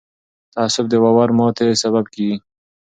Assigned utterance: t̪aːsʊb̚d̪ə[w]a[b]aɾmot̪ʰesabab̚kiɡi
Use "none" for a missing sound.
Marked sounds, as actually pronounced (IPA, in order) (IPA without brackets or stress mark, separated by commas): w, w